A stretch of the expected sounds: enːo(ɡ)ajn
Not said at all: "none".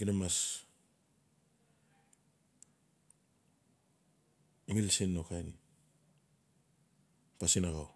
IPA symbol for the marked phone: k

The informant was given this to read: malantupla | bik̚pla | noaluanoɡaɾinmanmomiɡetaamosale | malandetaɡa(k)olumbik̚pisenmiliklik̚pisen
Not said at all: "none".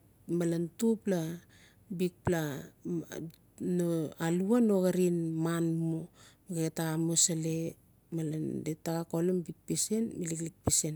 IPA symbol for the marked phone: k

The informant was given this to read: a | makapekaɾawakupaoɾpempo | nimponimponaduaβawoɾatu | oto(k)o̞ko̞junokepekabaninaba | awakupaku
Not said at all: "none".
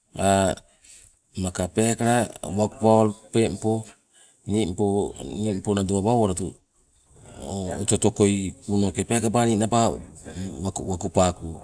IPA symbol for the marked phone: t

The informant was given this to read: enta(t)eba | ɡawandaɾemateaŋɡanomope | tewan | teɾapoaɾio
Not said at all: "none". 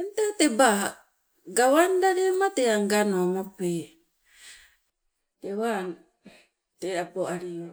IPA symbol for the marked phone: t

